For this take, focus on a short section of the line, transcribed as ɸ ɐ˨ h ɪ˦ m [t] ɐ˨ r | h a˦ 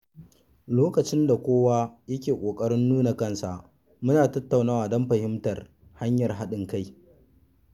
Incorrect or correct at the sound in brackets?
correct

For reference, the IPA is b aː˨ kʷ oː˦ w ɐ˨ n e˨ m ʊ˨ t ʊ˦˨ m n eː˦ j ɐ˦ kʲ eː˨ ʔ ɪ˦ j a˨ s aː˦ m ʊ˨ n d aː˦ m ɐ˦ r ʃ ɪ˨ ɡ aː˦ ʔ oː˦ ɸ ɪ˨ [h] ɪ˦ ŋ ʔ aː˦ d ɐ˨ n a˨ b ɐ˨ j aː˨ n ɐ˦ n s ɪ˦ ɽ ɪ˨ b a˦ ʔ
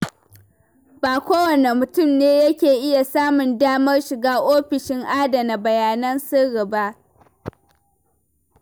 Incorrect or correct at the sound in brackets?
incorrect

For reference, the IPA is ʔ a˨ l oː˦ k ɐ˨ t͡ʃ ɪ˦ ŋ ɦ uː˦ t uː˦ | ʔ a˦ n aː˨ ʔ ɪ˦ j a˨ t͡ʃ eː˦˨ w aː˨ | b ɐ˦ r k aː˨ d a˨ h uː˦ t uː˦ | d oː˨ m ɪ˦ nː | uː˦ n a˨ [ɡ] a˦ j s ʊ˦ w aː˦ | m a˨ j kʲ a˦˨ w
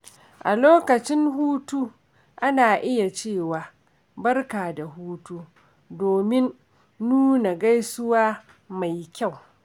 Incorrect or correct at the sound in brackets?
correct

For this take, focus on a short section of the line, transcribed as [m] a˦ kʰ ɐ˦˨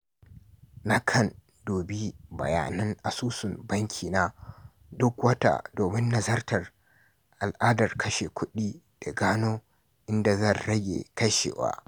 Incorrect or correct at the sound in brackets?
incorrect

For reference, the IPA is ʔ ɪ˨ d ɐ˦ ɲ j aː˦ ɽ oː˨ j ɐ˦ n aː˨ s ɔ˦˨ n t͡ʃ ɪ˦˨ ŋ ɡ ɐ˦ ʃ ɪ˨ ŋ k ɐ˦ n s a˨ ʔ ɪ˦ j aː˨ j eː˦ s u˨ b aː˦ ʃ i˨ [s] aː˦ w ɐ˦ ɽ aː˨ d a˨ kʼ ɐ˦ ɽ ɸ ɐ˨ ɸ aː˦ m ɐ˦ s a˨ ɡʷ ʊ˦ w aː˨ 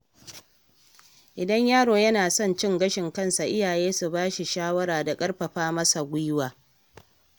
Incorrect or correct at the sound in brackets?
incorrect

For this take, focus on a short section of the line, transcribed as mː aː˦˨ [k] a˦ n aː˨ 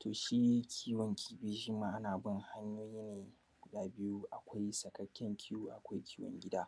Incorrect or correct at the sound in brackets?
incorrect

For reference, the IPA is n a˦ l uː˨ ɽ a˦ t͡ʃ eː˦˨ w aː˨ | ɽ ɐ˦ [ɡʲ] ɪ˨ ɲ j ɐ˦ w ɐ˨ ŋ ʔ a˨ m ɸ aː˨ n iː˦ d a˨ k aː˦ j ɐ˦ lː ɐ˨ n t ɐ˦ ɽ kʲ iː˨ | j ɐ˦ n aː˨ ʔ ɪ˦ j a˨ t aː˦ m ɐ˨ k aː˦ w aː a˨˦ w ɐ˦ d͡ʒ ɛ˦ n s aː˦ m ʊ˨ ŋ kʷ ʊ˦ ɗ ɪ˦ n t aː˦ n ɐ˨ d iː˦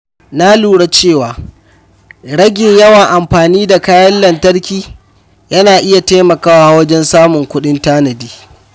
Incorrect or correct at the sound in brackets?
correct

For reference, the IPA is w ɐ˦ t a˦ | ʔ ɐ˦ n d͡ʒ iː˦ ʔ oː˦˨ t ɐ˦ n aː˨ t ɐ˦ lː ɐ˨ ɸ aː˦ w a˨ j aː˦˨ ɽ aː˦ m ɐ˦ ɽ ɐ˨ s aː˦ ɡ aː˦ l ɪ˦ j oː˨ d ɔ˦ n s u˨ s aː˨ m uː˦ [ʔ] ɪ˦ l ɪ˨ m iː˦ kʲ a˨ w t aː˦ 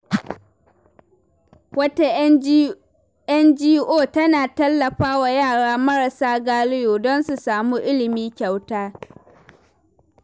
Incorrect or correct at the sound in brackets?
correct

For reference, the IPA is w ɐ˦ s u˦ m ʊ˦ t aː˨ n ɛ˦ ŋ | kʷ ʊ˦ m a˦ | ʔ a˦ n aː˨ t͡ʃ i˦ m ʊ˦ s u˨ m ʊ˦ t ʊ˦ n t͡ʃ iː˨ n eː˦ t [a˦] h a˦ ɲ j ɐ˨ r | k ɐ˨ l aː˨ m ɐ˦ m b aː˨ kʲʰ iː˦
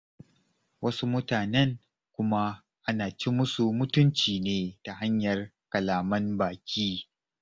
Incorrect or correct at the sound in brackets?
incorrect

